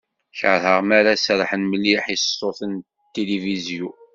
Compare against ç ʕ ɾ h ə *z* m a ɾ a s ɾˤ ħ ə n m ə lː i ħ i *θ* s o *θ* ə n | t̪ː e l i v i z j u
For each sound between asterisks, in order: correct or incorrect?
incorrect: ʁ, incorrect: s, correct

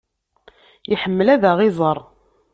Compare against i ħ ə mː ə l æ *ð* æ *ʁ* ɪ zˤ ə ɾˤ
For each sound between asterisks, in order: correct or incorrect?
correct, correct

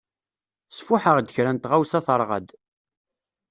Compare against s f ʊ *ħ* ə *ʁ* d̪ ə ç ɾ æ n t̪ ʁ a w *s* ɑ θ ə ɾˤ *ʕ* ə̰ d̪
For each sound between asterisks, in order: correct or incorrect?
correct, correct, correct, incorrect: ʁ

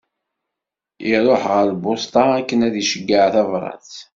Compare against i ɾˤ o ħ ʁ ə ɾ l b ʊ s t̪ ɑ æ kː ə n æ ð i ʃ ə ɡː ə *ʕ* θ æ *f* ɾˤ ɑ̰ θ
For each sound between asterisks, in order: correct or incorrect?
correct, incorrect: v

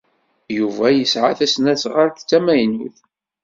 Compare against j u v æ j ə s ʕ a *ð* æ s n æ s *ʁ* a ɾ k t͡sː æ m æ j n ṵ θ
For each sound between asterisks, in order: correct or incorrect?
incorrect: θ, correct

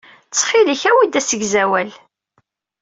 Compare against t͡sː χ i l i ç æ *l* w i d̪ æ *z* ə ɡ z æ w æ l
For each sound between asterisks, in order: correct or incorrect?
incorrect: none, incorrect: s

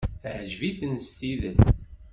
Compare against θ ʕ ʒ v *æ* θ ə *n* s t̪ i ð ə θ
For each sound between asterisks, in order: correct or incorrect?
incorrect: i, correct

